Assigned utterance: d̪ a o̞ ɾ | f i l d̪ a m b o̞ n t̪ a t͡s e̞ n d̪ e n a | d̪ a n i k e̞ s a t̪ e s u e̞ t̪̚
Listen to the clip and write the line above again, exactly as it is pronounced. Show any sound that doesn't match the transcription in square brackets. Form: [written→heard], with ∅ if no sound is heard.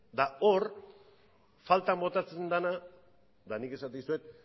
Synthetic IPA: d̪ a o̞ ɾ | f [i→a] l [d̪→t̪] a m b o̞ [n→∅] t̪ a t͡s e̞ n d̪ [e→a] n a | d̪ a n i k e̞ s a t̪ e s u e̞ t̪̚